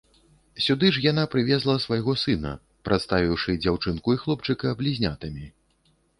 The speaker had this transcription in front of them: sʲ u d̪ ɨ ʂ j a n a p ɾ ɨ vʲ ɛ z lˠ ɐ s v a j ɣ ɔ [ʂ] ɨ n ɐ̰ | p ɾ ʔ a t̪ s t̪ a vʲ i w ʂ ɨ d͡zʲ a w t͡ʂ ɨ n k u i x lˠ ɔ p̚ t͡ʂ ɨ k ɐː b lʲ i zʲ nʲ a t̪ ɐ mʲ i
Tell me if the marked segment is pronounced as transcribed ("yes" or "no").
no